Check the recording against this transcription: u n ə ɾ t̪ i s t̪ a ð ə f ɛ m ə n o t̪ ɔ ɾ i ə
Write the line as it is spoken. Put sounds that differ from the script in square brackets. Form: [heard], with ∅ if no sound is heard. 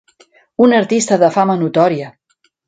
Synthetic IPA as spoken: u n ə ɾ t̪ i s t̪ [ə] ð ə f [a] m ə n [u] t̪ ɔ ɾ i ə